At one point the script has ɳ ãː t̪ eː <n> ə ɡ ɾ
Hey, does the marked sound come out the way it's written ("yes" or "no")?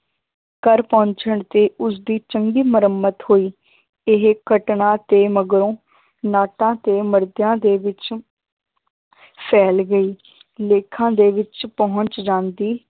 no